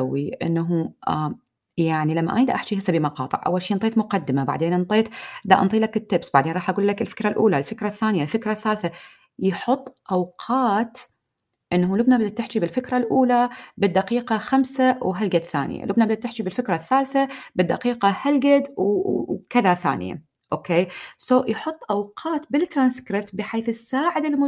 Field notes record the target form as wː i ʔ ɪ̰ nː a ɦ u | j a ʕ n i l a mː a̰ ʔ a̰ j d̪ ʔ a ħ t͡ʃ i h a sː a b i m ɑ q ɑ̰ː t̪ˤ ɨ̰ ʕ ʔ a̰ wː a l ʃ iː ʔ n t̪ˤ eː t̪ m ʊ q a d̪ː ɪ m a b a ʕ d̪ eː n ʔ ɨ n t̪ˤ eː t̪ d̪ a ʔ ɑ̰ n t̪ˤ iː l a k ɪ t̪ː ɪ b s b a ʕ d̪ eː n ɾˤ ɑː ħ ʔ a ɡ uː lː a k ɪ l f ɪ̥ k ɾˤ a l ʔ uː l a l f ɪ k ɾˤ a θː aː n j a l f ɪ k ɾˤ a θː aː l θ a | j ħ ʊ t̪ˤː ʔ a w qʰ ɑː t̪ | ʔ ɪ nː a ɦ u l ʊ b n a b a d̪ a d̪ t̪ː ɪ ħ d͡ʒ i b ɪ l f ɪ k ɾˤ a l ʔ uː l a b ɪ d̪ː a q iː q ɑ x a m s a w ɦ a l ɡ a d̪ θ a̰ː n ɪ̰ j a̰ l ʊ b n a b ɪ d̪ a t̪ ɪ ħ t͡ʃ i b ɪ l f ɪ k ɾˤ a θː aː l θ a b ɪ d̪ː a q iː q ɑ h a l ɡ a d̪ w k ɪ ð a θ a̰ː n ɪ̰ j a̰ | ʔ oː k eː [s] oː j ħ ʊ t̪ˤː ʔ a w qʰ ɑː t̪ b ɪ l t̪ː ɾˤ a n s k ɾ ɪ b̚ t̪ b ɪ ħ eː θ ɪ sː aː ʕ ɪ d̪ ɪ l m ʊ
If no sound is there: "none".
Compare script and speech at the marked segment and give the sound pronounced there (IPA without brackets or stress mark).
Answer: s